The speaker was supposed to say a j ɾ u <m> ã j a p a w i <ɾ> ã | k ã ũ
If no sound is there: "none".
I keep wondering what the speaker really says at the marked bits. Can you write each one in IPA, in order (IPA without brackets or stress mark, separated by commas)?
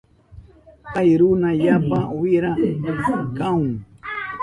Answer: n, ɾ